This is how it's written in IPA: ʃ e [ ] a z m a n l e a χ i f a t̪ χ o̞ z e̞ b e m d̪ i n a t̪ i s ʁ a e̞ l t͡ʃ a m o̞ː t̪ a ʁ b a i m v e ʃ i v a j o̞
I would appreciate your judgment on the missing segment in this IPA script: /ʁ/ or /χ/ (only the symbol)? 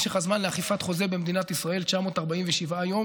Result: χ